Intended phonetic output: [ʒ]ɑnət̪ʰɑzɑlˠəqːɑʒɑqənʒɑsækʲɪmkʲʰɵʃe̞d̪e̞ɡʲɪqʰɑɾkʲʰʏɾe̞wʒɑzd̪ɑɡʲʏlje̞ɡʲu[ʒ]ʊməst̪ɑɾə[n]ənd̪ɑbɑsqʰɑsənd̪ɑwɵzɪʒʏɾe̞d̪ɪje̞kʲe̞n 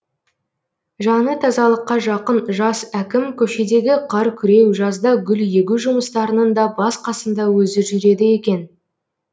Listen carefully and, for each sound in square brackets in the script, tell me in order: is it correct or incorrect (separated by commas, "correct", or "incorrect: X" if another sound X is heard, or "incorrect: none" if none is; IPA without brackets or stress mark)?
correct, correct, correct